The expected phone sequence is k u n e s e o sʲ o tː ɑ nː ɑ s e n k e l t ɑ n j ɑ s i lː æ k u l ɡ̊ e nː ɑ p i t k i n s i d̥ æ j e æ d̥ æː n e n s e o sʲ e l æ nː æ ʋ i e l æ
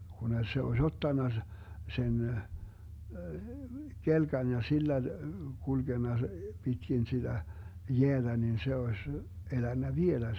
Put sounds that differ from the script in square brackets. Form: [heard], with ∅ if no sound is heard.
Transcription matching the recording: k u n e s e o sʲ o tː ɑ nː ɑ s e n k e l [k] ɑ n j ɑ s i lː æ k u l ɡ̊ e nː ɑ p i t k i n s i d̥ æ j e æ d̥ [æ] n [i] n s e o sʲ e l æ nː æ ʋ i e l æ

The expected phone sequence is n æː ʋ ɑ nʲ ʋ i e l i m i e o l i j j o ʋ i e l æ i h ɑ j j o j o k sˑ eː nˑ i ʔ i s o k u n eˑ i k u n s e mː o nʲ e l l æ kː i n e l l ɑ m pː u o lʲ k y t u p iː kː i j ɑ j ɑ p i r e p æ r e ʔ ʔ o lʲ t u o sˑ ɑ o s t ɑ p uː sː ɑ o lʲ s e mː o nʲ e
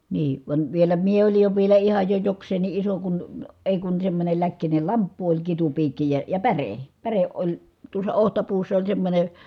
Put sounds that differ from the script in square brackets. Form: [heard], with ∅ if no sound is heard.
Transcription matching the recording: n [iː] ʋ ɑ nʲ ʋ i e l [æ] m i e o l i j j o ʋ i e l æ i h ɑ j j o j o k sˑ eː nˑ i ʔ i s o k u n eˑ i k u n s e mː o nʲ e l l æ kː i n e l l ɑ m pː u o lʲ k [i] t u p iː kː i j ɑ j ɑ p [æ] r e p æ r e ʔ ʔ o lʲ t u o sˑ ɑ o [h] t ɑ p uː sː ɑ o lʲ s e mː o nʲ e

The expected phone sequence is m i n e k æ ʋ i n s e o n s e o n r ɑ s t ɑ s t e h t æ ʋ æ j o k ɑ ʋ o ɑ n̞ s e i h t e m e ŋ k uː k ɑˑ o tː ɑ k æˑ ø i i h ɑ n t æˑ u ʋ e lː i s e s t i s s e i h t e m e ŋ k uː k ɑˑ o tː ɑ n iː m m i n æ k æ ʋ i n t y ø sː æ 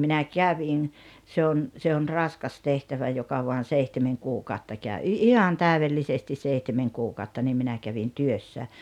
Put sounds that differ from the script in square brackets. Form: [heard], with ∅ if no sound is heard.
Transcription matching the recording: m i n [æ] k æ ʋ i n s e o n s e o n r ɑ s [k] ɑ s t e h t æ ʋ æ j o k ɑ ʋ o ɑ n̞ s e i h t e m e ŋ k uː k ɑˑ o tː ɑ k æˑ ø i i h ɑ n t æˑ u ʋ e lː i s e s t i s s e i h t e m e ŋ k uː k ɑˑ o tː ɑ n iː m m i n æ k æ ʋ i n t y ø sː æ

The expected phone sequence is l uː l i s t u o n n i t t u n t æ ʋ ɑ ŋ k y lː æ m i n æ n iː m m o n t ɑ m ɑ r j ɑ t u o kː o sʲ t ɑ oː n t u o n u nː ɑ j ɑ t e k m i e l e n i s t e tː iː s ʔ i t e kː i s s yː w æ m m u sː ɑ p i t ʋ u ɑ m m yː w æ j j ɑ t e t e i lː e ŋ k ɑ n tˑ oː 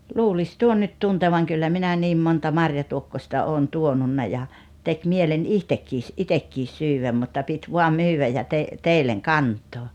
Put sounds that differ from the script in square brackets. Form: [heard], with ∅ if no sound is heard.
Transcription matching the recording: l uː l i s t u o n n [y] t t u n t [e] ʋ ɑ ŋ k y lː æ m i n æ n iː m m o n t ɑ m ɑ r j ɑ t u o kː o sʲ t ɑ oː n t u o n u nː ɑ j ɑ t e k m i e l e n i [h] t e [kː] iː s ʔ i t e kː i s s yː w æ m m u [tː] ɑ p i t ʋ u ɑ m m yː w æ j j ɑ t e t e i lː e ŋ k ɑ n tˑ oː

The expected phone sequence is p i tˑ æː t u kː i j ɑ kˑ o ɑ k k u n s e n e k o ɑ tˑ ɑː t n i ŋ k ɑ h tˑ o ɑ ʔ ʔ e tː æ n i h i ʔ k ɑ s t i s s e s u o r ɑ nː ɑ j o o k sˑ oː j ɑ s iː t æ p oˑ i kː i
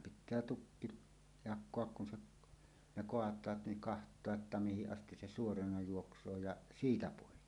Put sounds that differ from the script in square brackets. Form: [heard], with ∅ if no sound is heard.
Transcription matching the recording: p i tˑ æː t u kː i j ɑ kˑ o ɑ k k u n s e n e k o ɑ tˑ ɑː t n i ŋ k ɑ h tˑ o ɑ ʔ ʔ e tː æ [m] i h i ʔ [ʔ] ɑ s t i s s e s u o r ɑ [n] ɑ j [u] o k sˑ oː j ɑ s iː t æ p oˑ i kː i

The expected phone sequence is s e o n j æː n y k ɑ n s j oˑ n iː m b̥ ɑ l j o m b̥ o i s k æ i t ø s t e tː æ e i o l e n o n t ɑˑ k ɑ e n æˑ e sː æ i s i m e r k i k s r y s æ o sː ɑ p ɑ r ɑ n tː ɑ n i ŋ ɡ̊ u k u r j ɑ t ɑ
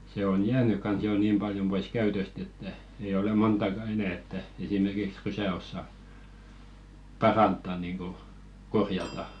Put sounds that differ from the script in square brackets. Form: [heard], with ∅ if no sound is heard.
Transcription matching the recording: s e o n j æː n y k ɑ n s j oˑ n iː m b̥ ɑ l j o m b̥ o i s k æ [y] t ø s t e tː æ e i o l e [m] o n t ɑˑ k ɑ e n æˑ e [tː] æ [e] s i m e r k i k s r y s æ o sː ɑ p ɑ r ɑ n tː ɑ n i ŋ ɡ̊ u k [o] r j ɑ t ɑ

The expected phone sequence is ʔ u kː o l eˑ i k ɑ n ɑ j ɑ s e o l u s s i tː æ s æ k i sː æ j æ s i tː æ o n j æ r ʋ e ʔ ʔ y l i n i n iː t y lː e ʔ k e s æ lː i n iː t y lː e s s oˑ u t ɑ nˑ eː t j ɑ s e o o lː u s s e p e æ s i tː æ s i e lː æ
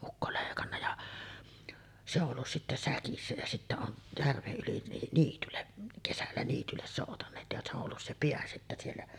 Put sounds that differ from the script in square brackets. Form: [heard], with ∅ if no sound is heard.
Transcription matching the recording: ʔ u kː o l eˑ i k ɑ [nː] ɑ j ɑ s e o [lː] u s s i tː æ s æ k i sː æ j æ s i tː æ o n j æ r ʋ e ʔ ʔ y l i n i n iː t y lː e ʔ k e s æ lː [æ] n iː t y lː e s s oˑ u t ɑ nˑ eː t j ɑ s e o o lː u s s e p e æ s i tː æ s i e lː æ

